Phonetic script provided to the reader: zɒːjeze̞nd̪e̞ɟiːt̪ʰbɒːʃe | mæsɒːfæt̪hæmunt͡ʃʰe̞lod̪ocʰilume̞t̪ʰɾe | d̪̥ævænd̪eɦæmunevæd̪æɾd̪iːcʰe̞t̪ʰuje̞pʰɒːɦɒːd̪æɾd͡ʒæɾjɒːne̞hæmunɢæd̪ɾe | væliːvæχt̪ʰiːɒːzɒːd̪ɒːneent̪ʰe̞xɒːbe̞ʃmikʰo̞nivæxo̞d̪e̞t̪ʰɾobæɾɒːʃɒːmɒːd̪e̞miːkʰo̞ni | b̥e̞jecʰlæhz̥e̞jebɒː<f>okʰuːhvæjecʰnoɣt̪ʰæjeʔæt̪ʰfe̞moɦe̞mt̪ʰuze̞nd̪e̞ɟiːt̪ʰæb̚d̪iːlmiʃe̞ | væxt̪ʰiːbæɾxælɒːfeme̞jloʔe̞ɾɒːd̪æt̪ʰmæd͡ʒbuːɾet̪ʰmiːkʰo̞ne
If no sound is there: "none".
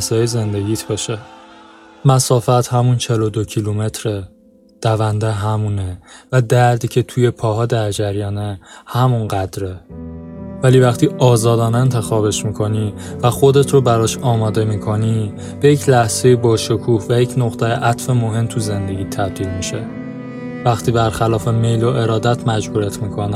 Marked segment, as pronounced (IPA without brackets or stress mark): ʃ